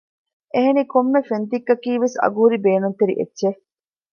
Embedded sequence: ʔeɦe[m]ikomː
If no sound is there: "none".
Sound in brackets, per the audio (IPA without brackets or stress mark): n